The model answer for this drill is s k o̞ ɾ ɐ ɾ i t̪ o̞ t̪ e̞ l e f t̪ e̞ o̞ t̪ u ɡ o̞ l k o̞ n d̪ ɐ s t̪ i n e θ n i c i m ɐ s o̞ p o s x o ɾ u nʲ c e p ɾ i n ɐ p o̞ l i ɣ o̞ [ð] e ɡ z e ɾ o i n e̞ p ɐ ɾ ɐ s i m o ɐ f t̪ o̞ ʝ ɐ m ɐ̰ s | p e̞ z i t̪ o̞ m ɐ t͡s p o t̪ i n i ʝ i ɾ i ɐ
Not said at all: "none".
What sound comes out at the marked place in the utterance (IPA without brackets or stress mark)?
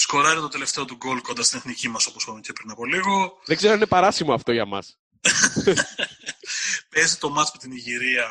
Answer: ð